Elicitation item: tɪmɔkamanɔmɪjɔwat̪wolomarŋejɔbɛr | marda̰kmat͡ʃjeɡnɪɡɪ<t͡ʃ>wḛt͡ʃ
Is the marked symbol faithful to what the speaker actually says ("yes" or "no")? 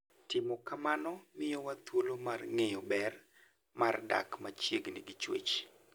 yes